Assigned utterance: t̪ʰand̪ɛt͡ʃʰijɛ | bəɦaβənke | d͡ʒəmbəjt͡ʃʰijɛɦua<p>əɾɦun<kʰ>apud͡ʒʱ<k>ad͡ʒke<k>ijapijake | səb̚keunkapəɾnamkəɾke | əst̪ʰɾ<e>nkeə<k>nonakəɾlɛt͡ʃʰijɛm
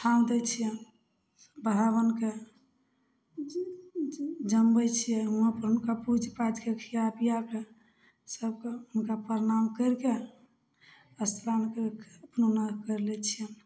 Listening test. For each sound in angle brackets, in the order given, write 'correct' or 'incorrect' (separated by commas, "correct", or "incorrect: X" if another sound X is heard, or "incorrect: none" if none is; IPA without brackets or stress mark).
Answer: correct, incorrect: k, incorrect: p, incorrect: kʰ, incorrect: a, incorrect: p